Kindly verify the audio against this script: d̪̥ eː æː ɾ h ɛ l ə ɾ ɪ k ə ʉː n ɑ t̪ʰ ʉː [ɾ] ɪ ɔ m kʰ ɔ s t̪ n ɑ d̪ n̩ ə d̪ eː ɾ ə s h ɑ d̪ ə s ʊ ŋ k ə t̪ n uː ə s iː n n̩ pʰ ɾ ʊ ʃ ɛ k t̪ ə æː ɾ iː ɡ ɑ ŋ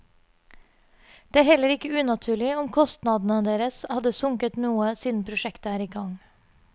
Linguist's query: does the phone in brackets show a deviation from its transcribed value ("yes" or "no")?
yes